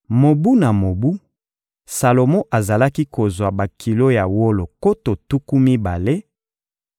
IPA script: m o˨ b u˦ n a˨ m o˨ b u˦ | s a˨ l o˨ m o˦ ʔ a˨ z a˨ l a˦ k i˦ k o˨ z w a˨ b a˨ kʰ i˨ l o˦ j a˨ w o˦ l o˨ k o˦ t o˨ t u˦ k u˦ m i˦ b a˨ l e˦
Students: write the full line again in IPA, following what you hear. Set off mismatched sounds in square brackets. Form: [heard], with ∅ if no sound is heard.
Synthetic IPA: m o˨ b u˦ n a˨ m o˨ b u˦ | s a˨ l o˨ m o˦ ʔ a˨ z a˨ l a˦ k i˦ k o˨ z w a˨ b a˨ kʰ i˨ l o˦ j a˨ w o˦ l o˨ k o˦ t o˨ t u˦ k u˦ m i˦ b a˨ l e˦